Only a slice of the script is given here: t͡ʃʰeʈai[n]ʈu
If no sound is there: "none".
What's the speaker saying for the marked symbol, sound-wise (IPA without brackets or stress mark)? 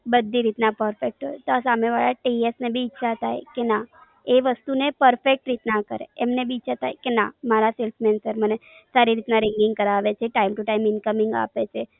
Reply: m